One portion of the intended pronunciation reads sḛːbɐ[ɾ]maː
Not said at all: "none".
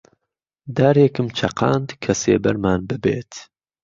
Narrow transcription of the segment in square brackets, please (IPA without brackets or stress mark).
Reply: ɾ